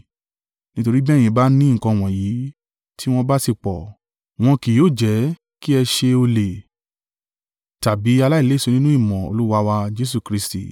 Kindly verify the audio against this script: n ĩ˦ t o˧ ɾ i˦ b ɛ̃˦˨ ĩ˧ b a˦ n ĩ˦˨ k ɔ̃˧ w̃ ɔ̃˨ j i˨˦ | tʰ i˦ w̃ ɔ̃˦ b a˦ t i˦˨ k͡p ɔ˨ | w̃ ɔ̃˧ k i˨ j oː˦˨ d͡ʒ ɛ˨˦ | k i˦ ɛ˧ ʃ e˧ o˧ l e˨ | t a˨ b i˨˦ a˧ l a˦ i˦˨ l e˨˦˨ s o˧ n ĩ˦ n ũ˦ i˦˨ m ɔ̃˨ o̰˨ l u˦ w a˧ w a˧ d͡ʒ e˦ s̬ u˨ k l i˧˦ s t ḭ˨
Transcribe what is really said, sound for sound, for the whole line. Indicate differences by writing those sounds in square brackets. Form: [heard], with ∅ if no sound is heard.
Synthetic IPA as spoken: n ĩ˦ t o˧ ɾ i˦ b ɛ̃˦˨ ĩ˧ b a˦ n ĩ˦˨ k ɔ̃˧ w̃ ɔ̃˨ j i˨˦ | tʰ i˦ w̃ ɔ̃˦ b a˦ [s] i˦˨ k͡p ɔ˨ | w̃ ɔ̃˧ k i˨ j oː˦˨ d͡ʒ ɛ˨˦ | k i˦ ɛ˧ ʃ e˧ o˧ l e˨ | t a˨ b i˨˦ a˧ l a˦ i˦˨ l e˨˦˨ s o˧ n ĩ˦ n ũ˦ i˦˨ m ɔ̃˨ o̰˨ l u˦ w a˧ w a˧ d͡ʒ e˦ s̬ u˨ k [ɾ] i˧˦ s t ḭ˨

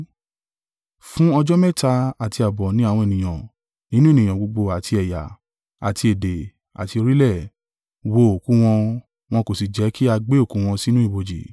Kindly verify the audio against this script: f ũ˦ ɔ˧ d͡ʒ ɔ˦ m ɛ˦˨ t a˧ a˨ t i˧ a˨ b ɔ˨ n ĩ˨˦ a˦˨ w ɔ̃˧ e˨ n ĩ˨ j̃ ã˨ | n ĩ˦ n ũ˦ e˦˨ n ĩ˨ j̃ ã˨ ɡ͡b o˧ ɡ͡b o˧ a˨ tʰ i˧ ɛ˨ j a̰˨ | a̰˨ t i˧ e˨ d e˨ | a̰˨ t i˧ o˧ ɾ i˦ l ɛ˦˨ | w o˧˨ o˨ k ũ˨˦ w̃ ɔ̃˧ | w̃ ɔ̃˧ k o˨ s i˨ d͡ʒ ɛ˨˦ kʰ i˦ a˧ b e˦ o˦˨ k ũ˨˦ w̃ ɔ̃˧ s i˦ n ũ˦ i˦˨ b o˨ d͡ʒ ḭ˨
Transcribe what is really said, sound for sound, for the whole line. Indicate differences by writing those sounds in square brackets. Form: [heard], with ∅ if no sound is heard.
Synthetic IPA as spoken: f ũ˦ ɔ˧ d͡ʒ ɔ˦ m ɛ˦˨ t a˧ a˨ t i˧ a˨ b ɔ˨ n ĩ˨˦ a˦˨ w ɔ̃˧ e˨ n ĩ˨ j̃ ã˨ | n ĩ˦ n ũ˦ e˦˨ n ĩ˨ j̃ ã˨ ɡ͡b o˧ ɡ͡b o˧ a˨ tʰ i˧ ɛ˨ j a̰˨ | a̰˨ t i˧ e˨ d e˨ | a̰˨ t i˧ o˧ ɾ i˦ l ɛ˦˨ | w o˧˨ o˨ k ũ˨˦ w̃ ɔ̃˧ | w̃ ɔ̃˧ k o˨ s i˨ d͡ʒ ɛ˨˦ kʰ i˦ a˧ [ɡ͡b] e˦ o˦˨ k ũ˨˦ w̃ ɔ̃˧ s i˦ n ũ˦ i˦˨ b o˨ d͡ʒ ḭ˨

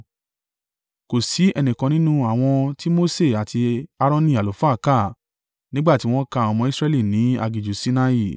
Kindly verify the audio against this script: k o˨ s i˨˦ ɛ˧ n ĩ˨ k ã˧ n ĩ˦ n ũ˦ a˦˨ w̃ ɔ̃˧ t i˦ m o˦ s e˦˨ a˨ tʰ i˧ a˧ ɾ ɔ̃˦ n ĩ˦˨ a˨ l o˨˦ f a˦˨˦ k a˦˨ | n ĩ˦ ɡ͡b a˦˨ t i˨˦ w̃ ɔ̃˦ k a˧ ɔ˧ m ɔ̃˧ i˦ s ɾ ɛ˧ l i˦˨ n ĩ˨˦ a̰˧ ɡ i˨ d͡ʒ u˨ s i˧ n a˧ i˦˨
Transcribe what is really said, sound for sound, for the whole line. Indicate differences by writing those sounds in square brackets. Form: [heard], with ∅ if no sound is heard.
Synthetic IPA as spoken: k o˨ s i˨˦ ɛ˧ n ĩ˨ k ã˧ n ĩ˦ n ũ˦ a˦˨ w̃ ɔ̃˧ t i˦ m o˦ s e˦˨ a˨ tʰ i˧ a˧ ɾ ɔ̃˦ n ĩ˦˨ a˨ l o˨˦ f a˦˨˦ k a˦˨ | n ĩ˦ ɡ͡b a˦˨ t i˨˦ w̃ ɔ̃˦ k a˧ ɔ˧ m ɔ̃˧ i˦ s ɾ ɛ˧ l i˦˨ n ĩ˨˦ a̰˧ ɡ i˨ d͡ʒ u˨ s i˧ n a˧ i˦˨

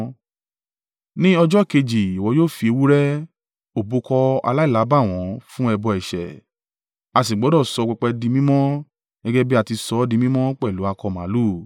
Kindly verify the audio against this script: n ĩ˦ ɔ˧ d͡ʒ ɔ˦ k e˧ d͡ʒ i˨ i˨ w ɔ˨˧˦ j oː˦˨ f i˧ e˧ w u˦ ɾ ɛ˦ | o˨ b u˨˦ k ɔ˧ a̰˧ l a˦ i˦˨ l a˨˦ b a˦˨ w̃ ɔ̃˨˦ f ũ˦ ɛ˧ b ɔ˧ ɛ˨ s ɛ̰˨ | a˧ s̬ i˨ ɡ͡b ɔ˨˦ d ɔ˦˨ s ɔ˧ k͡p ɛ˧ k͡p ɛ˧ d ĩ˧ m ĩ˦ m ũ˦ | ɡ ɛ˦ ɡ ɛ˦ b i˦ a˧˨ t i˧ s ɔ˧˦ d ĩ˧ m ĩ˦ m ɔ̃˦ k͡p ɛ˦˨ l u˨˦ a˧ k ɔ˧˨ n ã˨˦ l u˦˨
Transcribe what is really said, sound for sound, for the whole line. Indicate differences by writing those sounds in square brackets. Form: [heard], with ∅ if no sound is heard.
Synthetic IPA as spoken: n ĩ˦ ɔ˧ d͡ʒ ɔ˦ k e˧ d͡ʒ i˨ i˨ w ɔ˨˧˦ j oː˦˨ f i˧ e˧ w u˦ ɾ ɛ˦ | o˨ b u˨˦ k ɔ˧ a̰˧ l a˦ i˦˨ l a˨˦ b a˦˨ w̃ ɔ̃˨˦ f ũ˦ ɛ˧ b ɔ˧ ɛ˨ [ʃ] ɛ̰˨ | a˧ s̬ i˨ ɡ͡b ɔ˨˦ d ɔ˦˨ s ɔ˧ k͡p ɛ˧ k͡p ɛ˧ d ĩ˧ m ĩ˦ m [ɔ̃˦] | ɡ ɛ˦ ɡ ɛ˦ b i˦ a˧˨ t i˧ s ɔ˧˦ d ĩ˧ m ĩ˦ m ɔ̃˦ k͡p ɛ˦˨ l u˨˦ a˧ k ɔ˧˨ [m] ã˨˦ l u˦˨

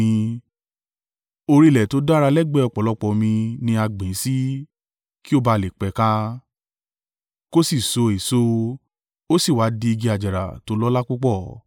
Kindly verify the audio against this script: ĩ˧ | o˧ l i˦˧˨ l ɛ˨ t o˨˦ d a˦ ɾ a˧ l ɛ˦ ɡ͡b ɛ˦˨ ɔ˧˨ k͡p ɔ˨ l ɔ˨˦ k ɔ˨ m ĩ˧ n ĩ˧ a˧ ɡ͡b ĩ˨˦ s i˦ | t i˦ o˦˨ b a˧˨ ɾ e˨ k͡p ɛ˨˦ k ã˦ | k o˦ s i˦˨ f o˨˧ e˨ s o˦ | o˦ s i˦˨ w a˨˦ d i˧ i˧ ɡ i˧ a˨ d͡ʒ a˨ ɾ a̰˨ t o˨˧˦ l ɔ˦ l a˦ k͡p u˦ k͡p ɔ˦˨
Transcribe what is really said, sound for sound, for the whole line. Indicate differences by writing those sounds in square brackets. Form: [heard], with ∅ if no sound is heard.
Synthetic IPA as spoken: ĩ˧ | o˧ [ɾ] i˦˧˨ l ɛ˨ t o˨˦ d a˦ ɾ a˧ l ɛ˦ ɡ͡b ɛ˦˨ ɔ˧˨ k͡p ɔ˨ l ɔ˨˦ [k͡p] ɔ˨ m ĩ˧ n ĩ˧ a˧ ɡ͡b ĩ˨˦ s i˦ | [k] i˦ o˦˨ b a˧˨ [l] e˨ k͡p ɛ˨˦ k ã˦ | k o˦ s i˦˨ [s] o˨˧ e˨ s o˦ | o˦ s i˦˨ w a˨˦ d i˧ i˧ ɡ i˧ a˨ d͡ʒ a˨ ɾ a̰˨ t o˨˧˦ l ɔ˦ l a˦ k͡p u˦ k͡p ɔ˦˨

